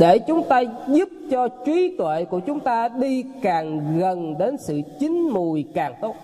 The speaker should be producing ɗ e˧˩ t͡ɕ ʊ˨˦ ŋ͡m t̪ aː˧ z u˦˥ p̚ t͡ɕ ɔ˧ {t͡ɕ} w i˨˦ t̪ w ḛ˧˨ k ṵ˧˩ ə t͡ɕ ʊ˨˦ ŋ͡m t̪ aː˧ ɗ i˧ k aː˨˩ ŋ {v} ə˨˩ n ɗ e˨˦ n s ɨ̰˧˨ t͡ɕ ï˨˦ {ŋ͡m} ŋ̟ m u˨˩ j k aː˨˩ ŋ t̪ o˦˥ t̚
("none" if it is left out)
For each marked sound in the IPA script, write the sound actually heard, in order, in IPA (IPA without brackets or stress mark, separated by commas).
t͡ɕ, ɣ, none